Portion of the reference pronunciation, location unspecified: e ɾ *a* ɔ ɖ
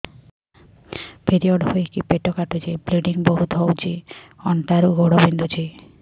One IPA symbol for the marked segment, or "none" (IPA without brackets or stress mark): i